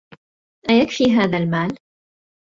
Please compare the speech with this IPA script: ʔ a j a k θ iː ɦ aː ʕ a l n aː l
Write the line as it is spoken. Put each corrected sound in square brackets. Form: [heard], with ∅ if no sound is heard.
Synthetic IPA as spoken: ʔ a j a k [f] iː ɦ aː [ð] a l [m] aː l